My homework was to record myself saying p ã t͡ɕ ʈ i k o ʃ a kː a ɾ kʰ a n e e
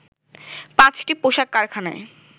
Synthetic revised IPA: p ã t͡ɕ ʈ i p o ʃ a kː a ɾ kʰ a n a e